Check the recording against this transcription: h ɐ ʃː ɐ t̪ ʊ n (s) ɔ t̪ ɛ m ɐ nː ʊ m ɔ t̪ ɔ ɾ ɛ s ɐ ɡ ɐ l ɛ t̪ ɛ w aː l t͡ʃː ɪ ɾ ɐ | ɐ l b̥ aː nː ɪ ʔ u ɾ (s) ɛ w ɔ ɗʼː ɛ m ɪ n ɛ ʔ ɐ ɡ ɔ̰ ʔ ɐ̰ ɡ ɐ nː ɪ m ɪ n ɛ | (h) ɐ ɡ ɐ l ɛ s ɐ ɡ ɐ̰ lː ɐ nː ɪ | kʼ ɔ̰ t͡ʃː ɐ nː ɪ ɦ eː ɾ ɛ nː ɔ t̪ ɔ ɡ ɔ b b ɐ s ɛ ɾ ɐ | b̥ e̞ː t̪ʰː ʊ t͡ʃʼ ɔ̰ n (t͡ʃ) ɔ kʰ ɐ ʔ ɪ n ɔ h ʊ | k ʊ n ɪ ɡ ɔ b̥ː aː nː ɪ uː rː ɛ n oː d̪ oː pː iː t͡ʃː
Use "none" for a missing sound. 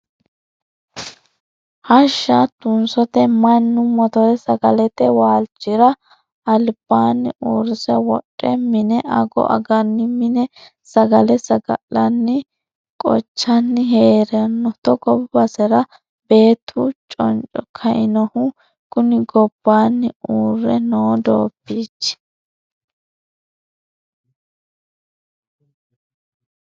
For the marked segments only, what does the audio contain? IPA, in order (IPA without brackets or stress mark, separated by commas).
s, s, s, t͡ʃʼ